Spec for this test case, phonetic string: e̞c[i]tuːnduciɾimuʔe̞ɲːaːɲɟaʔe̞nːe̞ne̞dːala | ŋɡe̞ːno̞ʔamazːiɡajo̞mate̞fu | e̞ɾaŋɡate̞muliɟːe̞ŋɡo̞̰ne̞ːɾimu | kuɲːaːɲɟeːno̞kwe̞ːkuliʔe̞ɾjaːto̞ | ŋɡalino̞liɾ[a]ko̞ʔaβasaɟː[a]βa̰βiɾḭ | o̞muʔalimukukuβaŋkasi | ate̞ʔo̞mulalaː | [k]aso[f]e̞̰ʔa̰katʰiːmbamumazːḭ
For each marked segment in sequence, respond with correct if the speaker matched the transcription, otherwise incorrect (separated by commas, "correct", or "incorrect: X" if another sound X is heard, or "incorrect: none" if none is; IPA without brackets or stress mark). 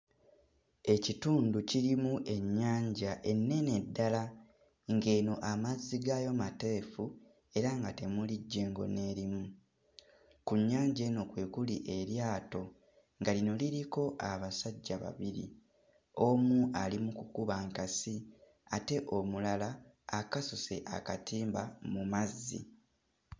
correct, incorrect: i, correct, correct, incorrect: s